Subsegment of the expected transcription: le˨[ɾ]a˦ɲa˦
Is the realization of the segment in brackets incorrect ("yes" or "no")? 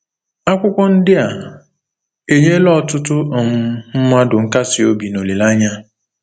yes